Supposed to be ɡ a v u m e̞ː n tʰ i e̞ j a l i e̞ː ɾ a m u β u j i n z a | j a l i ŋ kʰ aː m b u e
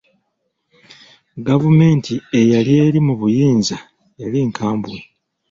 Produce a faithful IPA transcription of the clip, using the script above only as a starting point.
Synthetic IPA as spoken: ɡ a v u m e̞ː n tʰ i e̞ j a l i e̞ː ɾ i m u β u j iː n z a | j a l i ŋ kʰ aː m b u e

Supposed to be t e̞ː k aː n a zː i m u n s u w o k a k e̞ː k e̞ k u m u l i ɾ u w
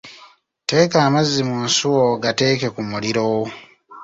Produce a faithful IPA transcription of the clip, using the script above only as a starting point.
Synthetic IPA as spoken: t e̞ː k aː m a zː i m u n s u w o ɡ a t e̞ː k e̞ k u m u l i ɾ o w

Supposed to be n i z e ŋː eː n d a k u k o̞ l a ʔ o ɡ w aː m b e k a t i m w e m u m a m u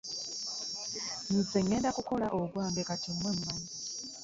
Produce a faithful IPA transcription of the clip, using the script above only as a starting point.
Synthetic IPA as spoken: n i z e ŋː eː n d a k u k o̞ l a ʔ o ɡ w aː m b e k a t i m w e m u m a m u

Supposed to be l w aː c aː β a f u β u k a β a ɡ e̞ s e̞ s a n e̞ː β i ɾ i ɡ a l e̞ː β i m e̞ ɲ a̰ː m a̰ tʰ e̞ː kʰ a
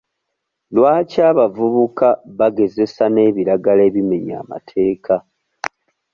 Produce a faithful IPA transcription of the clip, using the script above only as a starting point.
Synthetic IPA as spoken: l w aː c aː β a v u β u k a β a ɡ e̞ z e̞ s a n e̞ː β i ɾ a ɡ a l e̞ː β i m e̞ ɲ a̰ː m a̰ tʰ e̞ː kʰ a

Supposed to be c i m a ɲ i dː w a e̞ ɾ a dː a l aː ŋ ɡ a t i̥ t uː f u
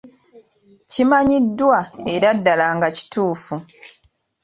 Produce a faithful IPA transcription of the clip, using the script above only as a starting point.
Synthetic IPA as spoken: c i m a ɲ i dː w a e̞ ɾ a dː a l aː ŋ ɡ a c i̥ t uː f u

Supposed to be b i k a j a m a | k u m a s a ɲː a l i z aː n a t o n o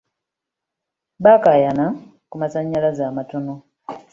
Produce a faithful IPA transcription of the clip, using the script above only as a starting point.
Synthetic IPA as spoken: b a k a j a n a | k u m a s a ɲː a l a z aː m a t o n o

